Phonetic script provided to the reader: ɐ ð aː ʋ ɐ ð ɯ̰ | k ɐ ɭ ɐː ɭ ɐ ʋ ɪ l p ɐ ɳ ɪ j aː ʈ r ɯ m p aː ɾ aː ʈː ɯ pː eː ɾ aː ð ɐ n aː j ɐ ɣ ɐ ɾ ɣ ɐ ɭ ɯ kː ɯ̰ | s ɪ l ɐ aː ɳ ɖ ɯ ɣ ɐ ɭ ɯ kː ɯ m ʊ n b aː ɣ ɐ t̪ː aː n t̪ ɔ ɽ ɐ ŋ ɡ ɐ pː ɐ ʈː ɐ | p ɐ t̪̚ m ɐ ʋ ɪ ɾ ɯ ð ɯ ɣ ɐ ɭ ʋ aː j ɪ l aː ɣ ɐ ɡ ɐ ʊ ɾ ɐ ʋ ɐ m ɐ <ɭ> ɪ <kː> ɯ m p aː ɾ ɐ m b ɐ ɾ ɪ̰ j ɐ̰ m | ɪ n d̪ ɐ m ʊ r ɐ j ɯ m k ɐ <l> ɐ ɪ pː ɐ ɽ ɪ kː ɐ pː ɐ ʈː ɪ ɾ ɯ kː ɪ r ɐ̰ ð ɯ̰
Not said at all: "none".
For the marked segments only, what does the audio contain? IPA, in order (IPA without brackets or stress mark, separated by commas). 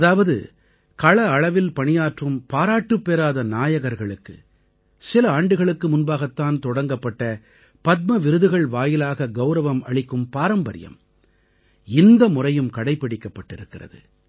ɭ, kː, ɽ